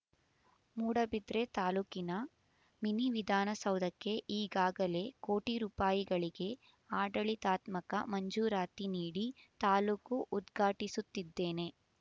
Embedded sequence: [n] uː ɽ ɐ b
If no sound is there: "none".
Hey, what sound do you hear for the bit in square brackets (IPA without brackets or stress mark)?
m